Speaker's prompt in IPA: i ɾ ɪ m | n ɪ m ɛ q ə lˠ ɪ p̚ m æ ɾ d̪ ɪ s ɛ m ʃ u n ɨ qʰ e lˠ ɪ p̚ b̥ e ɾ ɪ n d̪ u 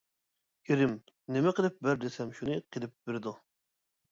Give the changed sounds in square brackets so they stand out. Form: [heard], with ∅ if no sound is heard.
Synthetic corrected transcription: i ɾ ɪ m | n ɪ m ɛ q ə lˠ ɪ p̚ [b] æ ɾ d̪ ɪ s ɛ m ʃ u n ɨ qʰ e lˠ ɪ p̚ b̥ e ɾ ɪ [∅] d̪ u